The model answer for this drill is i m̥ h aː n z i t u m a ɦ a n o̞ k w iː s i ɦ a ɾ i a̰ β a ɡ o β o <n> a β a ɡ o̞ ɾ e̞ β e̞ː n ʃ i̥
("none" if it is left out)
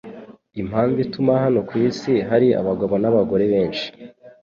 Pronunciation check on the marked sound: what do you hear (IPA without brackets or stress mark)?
n